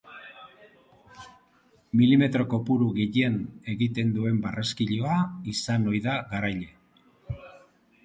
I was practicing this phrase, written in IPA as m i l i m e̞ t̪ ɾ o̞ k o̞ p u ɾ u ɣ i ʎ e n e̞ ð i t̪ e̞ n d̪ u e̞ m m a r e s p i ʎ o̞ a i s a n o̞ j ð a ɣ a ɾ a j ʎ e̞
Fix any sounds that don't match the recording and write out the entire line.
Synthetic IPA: m i l i m e̞ t̪ ɾ o̞ k o̞ p u ɾ u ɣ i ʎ e n e̞ ɣ i t̪ e̞ n d̪ u e̞ m b a r e s k i ʎ o̞ a i s a n o̞ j ð a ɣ a ɾ a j ʎ e̞